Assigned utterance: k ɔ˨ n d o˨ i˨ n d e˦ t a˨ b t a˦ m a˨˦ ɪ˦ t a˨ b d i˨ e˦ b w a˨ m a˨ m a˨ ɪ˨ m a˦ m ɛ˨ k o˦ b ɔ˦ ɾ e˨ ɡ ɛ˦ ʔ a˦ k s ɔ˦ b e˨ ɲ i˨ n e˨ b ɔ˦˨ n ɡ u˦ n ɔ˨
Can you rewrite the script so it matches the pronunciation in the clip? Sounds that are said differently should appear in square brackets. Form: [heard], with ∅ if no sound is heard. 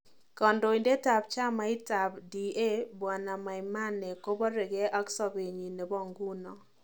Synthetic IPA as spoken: k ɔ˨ n d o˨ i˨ n d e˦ t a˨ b [t͡ʃ] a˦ m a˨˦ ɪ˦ t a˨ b d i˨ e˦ b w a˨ [n] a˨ m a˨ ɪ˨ m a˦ [n] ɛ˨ k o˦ b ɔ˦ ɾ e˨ ɡ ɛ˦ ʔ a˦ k s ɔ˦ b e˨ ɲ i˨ n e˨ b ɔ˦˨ [ŋ] ɡ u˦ n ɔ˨